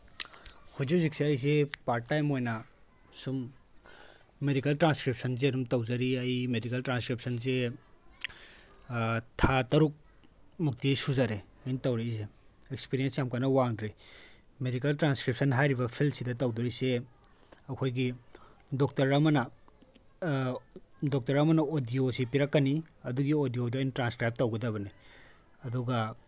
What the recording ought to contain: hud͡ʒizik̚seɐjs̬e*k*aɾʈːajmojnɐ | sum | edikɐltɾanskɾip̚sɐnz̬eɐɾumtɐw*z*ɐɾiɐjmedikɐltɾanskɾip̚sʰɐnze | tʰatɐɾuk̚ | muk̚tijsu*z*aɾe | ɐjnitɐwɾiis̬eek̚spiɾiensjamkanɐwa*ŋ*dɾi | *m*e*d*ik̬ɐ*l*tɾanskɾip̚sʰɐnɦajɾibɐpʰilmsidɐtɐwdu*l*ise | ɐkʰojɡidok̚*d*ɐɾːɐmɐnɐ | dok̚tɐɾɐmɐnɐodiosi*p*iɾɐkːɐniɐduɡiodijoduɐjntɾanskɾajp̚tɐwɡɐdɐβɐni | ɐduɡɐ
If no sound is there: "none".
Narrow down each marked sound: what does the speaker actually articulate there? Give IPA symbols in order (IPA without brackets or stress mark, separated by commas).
p, z, z, ŋ, m, d, l, ɾ, t, p